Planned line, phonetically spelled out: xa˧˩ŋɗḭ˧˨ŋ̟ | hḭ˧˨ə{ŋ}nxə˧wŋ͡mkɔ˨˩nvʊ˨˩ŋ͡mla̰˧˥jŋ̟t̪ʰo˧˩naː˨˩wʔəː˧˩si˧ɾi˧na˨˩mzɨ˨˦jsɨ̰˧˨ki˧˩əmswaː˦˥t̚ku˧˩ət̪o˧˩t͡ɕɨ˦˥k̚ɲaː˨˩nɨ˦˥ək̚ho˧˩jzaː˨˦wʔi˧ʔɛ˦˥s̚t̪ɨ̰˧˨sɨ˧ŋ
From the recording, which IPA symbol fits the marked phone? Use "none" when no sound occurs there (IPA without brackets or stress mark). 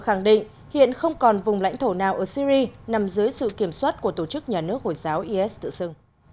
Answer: none